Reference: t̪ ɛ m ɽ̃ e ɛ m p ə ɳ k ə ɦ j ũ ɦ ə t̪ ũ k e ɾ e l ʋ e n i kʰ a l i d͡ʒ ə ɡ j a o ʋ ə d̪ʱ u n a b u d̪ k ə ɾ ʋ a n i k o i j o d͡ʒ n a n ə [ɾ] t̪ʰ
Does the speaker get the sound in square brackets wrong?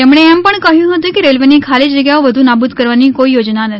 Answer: yes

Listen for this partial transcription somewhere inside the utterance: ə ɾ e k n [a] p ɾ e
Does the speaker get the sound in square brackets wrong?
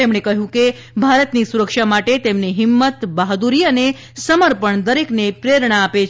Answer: yes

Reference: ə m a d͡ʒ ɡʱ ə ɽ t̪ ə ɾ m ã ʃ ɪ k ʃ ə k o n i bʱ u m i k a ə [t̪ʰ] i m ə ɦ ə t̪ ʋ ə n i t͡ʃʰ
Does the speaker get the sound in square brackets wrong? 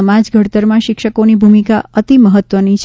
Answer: yes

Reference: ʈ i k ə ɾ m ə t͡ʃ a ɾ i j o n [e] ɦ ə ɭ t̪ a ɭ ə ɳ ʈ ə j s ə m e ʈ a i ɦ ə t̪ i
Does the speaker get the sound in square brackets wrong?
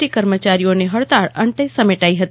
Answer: no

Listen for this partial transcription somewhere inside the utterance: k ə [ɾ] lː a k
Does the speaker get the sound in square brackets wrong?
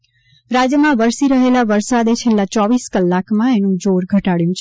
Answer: yes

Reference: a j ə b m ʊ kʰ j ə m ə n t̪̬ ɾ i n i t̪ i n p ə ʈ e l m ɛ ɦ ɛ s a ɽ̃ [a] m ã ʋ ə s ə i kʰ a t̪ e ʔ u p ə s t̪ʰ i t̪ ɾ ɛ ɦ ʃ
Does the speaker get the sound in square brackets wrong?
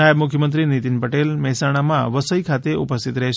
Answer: no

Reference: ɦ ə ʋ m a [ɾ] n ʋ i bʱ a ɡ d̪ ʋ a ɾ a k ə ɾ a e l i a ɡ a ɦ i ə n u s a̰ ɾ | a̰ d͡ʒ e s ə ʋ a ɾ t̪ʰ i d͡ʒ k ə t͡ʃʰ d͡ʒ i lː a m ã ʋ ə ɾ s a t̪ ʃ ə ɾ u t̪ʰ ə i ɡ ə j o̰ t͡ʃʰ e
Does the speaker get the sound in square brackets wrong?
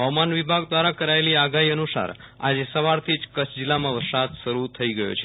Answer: yes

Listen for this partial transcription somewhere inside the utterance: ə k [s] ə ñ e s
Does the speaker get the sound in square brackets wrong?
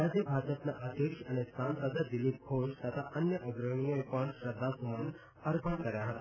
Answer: yes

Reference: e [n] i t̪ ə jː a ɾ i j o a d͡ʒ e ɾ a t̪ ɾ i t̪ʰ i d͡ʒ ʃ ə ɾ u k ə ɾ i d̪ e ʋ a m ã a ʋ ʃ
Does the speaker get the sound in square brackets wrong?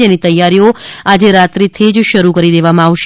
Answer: no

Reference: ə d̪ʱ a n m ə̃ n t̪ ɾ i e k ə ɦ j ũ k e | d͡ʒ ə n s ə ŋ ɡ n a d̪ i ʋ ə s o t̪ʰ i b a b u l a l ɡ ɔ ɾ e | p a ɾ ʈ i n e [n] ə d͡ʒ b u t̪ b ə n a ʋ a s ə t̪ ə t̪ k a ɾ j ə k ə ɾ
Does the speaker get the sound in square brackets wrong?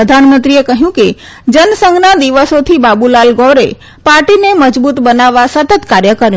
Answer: yes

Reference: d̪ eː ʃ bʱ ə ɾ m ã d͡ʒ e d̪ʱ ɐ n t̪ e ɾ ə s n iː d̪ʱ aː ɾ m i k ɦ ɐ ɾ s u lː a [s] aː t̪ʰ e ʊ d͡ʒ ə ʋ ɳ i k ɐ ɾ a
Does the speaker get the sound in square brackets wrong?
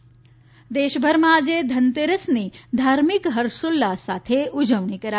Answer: no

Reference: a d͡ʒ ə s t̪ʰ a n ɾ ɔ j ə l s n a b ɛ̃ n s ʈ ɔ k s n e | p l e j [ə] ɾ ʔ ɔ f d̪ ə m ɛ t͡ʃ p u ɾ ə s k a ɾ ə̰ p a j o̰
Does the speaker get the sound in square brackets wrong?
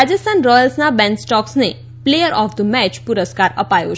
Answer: no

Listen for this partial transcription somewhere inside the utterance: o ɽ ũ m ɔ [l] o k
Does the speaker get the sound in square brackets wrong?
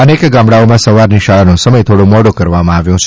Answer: yes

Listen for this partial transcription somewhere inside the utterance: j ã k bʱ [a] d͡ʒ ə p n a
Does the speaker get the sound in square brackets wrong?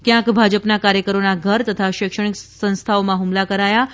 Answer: no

